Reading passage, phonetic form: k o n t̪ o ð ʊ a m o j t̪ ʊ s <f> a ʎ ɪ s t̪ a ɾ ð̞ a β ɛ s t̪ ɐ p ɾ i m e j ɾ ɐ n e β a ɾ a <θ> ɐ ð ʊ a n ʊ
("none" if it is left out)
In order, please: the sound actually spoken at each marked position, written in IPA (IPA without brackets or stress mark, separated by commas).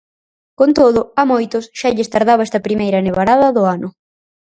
ʃ, ð